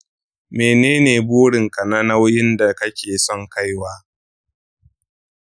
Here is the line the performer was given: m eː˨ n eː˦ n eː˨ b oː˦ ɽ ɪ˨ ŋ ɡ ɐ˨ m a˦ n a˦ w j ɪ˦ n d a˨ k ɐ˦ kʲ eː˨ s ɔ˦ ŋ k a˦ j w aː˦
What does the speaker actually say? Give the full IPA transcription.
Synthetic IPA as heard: m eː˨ n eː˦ n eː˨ b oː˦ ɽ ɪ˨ ŋ k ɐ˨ n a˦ n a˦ w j ɪ˦ n d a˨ k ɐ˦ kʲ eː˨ s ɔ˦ ŋ k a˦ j w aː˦